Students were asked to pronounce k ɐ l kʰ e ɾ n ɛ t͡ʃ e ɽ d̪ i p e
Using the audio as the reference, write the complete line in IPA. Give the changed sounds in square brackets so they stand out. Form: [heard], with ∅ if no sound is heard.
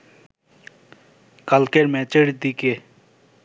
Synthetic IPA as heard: k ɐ l [k] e ɾ [m] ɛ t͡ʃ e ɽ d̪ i [k] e